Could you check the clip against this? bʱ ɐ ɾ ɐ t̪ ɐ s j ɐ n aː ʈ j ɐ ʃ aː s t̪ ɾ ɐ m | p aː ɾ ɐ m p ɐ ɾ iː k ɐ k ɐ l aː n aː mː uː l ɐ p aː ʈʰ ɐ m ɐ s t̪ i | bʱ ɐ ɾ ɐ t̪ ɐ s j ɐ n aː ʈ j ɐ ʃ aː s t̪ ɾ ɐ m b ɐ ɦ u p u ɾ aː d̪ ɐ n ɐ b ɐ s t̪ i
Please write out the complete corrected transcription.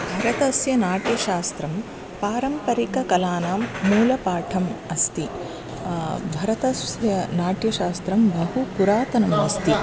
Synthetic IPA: bʱ ɐ ɾ ɐ t̪ ɐ s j ɐ n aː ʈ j ɐ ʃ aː s t̪ ɾ ɐ m | p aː ɾ ɐ m p ɐ ɾ i k ɐ k ɐ l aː n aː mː uː l ɐ p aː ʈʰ ɐ m ɐ s t̪ i | bʱ ɐ ɾ ɐ t̪ ɐ s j ɐ n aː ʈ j ɐ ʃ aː s t̪ ɾ ɐ m b ɐ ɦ u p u ɾ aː t̪ ɐ n ɐ m ɐ s t̪ i